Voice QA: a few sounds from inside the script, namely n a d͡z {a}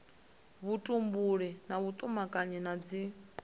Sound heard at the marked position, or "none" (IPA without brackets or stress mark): i